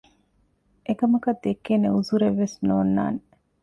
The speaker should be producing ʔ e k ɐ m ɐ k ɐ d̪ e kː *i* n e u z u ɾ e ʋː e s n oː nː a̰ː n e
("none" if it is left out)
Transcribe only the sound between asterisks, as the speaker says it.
e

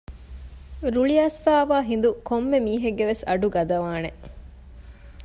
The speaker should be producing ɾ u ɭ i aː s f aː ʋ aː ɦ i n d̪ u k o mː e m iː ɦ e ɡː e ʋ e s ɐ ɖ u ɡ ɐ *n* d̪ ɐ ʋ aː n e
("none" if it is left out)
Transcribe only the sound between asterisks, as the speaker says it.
none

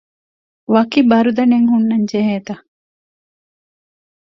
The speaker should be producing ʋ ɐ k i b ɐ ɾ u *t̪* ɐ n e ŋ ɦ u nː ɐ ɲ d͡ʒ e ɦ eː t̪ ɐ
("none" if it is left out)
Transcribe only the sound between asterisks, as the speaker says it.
d̪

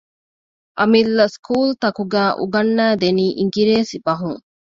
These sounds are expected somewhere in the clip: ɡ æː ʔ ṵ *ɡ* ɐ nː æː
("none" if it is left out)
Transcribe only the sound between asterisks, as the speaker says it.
ɡ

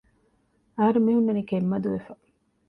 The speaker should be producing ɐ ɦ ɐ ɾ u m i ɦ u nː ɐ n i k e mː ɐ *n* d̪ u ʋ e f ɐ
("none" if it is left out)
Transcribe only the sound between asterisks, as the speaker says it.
none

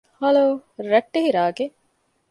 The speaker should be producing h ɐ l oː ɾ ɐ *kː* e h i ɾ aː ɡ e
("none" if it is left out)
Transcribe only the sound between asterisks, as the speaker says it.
ʈː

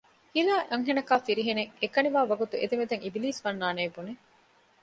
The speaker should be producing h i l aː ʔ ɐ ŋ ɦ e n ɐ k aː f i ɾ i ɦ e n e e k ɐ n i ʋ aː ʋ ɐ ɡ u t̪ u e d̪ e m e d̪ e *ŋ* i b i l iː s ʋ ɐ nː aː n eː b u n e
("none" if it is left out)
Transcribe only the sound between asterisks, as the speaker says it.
ŋ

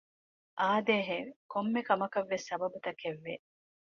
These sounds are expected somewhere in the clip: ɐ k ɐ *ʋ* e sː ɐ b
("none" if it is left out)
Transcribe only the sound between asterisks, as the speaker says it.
ʋː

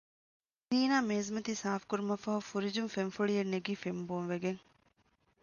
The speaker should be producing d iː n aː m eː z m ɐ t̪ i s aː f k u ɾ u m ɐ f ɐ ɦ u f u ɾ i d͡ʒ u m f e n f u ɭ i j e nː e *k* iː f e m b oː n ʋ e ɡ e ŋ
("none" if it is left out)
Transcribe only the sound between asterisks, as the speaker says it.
ɡ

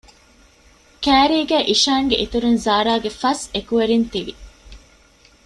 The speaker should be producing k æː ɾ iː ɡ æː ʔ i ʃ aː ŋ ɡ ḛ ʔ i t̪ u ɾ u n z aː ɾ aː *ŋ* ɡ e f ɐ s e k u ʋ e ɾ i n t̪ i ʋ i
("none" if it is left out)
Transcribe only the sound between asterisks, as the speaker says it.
none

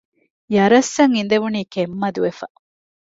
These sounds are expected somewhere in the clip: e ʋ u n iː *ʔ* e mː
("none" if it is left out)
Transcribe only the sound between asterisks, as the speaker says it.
k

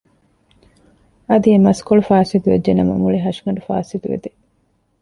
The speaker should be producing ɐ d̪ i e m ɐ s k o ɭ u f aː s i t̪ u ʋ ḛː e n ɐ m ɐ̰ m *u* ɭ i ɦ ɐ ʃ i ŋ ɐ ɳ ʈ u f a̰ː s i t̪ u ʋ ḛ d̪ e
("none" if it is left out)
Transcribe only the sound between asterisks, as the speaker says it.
u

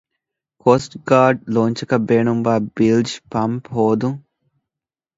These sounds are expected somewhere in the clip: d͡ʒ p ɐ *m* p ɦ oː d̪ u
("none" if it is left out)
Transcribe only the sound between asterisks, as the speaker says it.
m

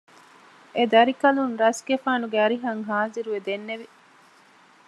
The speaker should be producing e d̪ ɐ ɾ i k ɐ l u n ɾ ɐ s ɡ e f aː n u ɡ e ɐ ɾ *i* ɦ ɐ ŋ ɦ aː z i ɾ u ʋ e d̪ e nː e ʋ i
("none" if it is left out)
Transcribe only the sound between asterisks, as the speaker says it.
i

